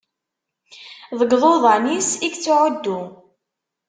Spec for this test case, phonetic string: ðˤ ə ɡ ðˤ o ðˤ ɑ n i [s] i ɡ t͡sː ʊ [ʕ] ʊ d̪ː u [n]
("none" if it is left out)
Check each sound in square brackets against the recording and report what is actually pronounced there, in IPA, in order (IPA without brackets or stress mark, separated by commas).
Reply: s, ʕ, none